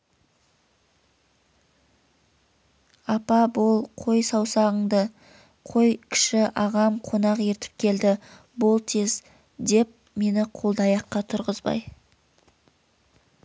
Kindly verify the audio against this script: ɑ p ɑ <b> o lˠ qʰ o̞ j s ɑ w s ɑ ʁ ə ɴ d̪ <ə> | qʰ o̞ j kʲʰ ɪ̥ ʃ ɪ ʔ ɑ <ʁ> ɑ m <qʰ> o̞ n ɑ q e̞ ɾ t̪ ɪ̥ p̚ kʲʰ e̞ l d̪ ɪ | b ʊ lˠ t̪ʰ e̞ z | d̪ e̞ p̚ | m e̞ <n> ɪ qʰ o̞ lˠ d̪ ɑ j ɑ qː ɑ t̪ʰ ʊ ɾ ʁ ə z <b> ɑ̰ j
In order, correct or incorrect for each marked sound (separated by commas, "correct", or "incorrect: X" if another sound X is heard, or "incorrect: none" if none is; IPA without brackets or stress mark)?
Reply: correct, correct, correct, correct, correct, correct